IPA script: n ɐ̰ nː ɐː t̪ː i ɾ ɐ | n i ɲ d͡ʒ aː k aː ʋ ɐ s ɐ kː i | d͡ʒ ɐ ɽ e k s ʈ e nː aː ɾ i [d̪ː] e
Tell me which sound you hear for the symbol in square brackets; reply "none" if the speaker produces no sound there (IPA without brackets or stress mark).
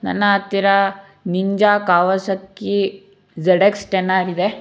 d̪